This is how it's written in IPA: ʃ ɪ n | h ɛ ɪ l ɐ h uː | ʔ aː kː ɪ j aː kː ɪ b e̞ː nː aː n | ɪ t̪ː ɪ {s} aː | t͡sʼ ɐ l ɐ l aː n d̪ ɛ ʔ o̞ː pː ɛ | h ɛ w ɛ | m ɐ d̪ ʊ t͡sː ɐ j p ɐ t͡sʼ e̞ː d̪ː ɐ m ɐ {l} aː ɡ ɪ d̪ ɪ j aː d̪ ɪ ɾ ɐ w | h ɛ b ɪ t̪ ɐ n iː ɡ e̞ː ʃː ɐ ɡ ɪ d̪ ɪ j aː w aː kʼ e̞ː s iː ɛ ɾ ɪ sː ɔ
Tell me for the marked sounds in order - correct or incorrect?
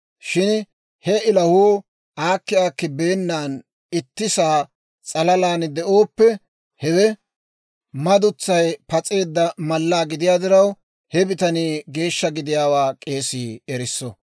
correct, incorrect

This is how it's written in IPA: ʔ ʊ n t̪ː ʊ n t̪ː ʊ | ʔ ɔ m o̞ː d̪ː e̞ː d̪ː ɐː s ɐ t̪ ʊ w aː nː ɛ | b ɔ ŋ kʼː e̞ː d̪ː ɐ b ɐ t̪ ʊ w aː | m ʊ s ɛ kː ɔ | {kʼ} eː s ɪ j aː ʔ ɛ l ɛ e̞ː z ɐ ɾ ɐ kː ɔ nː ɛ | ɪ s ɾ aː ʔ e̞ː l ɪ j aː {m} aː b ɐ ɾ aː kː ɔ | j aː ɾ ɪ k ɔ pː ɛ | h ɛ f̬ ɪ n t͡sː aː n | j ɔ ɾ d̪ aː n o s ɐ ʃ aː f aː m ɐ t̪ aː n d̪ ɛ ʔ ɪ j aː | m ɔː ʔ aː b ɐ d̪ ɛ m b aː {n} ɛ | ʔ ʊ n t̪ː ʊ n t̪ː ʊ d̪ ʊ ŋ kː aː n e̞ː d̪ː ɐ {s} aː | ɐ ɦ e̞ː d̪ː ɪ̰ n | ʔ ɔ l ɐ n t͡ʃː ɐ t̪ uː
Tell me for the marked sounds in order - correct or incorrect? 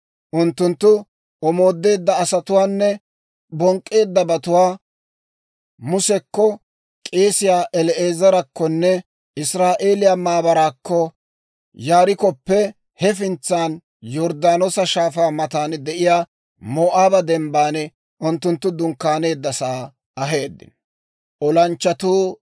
correct, correct, correct, correct

